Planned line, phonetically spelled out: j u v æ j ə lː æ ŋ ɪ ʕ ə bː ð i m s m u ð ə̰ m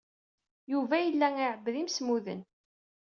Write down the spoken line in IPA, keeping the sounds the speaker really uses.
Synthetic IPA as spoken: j u v æ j ə lː æ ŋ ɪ ʕ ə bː ð i m s m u ð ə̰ n